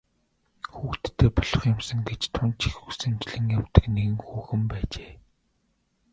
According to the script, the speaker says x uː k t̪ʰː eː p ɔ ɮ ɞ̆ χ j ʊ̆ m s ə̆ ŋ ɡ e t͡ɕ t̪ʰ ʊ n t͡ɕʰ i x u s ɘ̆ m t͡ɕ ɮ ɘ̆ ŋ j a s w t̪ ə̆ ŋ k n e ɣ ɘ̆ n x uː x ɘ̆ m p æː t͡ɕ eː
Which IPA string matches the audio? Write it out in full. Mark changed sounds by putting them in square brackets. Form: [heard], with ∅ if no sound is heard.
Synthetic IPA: x uː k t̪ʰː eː p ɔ ɮ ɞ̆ χ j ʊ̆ m s ə̆ ŋ ɡ e t͡ɕ t̪ʰ ʊ n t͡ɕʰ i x u s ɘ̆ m t͡ɕ ɮ ɘ̆ ŋ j a [∅] w t̪ ə̆ [∅] k n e ɣ ɘ̆ [ŋ] x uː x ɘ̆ m p æː t͡ɕ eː